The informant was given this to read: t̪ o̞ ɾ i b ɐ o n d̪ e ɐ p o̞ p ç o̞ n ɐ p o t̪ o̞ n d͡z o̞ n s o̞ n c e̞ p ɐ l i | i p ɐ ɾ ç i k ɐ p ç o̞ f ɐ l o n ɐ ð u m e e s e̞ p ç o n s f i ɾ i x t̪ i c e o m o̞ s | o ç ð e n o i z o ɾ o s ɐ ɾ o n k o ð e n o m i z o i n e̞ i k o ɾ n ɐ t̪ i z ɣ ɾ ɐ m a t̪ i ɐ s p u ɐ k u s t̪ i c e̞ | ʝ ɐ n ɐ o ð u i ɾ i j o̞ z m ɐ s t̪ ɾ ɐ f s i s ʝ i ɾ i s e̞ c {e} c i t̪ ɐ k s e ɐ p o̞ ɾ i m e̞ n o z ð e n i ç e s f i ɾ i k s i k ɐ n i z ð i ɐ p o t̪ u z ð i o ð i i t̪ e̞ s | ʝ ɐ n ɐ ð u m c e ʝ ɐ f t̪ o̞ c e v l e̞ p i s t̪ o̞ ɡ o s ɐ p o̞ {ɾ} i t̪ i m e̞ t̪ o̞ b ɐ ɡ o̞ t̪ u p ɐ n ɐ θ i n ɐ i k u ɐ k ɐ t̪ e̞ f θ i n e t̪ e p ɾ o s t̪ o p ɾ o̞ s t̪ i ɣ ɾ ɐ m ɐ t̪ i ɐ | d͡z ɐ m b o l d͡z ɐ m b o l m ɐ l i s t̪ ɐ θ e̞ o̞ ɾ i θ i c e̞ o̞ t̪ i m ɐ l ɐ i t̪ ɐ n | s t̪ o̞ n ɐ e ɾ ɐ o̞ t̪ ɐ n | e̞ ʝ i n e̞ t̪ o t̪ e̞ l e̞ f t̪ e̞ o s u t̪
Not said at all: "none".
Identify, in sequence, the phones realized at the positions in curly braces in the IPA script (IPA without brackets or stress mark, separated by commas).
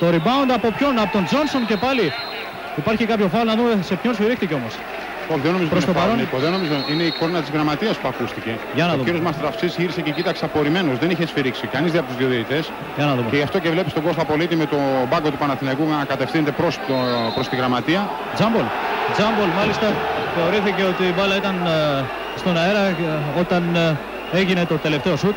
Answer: e, l